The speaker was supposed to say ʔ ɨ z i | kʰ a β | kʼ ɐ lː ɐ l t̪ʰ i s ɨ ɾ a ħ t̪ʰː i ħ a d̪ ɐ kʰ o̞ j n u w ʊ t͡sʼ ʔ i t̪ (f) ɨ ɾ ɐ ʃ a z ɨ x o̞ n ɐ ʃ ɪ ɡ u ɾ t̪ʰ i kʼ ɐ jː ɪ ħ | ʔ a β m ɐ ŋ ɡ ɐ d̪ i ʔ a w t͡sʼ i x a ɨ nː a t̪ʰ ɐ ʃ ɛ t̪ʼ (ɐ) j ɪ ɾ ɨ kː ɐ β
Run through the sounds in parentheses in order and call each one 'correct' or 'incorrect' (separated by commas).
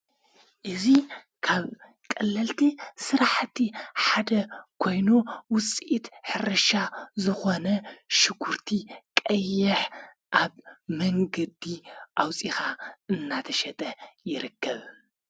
incorrect, correct